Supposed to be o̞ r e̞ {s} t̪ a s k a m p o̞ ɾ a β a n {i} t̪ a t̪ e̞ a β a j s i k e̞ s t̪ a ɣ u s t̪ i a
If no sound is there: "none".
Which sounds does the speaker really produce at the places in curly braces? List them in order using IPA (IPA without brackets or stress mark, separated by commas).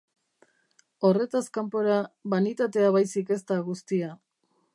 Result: none, i